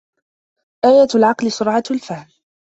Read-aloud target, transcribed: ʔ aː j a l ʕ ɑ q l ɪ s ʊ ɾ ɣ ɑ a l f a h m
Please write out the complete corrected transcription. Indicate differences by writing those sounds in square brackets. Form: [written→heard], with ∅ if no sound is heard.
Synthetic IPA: ʔ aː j a l ʕ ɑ q l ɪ s ʊ ɾ [ɣ→ʕ] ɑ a l f a h m